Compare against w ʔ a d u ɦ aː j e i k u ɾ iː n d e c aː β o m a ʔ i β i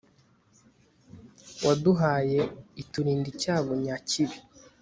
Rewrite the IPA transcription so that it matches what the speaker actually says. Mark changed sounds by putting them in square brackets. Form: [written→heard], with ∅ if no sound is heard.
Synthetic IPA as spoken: w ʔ a d u ɦ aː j e i [k→t] u ɾ iː n d [e→i] c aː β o [m→ɲ] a [ʔ→c] i β i